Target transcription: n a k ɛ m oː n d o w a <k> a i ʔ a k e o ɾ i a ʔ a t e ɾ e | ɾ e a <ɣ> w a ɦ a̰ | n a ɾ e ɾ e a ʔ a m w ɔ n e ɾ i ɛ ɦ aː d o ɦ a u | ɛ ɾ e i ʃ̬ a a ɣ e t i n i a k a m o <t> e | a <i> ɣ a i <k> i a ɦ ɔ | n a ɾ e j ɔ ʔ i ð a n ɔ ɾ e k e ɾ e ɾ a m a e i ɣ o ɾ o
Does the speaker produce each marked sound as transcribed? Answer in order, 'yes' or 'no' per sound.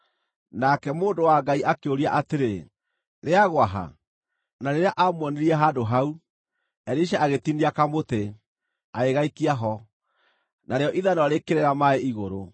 no, yes, yes, no, yes

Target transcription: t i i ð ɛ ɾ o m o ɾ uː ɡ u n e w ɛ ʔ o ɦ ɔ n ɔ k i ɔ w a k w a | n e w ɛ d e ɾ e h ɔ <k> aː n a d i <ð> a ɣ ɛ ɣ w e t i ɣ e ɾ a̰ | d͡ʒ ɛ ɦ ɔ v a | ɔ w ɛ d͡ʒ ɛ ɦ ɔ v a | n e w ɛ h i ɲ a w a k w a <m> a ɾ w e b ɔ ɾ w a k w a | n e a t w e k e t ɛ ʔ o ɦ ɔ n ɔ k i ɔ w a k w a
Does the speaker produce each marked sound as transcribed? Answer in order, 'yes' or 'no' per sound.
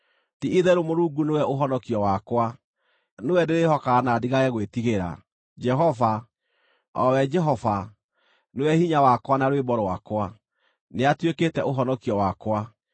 yes, no, no

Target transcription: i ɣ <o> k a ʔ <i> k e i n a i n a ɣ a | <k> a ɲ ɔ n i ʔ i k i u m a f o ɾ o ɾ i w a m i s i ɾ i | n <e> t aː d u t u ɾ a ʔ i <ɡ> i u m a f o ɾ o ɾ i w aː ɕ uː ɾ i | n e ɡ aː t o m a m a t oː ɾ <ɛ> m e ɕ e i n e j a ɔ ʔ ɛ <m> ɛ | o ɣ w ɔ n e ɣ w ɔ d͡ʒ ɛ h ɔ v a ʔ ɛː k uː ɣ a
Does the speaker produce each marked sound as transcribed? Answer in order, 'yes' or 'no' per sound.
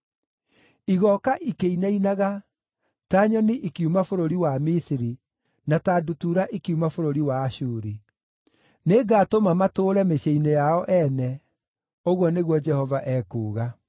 no, yes, no, no, no, yes, no

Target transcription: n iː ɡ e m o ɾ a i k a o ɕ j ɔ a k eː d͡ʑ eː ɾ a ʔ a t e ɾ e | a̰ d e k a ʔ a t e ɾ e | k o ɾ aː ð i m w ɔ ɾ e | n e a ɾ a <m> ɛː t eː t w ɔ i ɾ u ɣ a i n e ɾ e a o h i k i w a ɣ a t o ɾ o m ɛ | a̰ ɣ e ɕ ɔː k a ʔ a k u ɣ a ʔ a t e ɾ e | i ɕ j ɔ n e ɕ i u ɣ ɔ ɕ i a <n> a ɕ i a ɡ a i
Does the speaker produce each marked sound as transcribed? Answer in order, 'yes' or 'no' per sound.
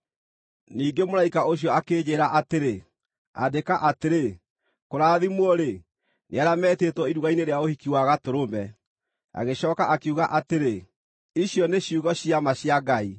yes, no

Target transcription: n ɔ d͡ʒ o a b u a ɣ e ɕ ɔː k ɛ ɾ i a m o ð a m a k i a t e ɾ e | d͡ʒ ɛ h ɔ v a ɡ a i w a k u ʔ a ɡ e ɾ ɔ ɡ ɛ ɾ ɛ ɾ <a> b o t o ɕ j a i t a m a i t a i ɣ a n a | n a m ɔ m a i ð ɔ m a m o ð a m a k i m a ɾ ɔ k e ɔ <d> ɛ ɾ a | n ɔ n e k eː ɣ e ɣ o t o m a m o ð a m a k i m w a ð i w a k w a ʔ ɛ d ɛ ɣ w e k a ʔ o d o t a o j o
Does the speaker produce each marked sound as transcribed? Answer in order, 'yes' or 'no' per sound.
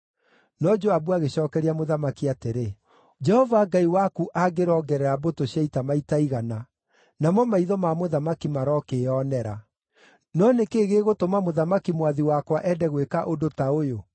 yes, no

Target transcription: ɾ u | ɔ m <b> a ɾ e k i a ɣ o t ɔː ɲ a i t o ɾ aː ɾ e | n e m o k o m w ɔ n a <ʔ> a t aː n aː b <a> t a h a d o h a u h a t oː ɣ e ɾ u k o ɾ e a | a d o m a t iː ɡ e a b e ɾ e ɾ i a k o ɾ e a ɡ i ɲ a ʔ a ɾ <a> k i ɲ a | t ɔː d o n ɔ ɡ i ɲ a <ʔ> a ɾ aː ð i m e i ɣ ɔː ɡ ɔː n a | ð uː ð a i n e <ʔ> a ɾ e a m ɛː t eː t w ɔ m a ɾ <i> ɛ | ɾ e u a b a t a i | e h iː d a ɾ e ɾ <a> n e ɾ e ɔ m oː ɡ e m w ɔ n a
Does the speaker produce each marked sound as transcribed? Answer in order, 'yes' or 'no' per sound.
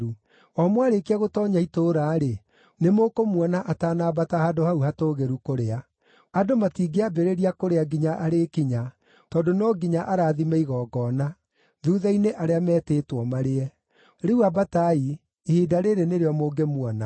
no, yes, yes, no, yes, yes, no, no

